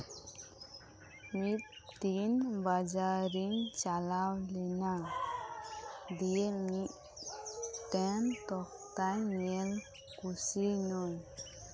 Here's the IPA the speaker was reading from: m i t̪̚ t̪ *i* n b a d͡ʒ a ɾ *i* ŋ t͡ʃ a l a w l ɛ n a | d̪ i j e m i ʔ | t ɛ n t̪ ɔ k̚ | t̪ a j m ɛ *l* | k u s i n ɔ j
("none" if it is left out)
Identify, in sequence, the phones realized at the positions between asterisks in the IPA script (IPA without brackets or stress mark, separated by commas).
i, i, l